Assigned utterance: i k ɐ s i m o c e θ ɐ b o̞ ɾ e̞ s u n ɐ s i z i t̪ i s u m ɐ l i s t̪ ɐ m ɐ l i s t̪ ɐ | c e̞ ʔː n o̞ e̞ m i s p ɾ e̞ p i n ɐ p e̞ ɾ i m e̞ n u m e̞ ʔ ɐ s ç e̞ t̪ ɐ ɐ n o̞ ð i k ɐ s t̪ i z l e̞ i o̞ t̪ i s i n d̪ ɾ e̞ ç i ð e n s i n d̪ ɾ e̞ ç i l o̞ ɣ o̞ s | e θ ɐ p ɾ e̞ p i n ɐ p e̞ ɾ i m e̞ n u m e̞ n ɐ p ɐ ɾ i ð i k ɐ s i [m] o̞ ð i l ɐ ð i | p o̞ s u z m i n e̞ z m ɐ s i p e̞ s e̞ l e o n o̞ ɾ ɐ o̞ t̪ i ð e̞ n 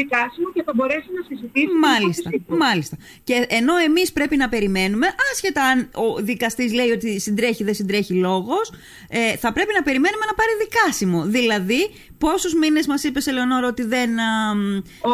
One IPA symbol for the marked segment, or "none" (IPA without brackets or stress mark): m